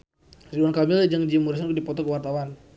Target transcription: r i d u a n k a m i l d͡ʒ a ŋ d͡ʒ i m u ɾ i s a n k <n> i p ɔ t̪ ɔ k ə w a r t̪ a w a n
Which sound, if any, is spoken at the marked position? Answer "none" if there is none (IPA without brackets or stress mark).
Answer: d